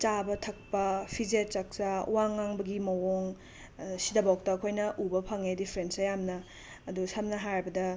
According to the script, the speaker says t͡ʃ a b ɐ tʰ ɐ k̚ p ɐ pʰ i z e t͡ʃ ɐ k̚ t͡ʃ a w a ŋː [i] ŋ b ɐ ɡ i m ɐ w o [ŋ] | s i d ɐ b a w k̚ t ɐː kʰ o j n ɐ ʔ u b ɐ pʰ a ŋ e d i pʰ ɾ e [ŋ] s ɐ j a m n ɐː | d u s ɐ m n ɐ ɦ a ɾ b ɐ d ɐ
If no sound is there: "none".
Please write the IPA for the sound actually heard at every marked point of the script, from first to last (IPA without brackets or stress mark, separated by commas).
a, ŋ, n